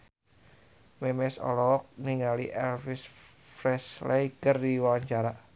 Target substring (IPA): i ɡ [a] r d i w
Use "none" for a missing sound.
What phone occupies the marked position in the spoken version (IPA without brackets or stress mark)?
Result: ə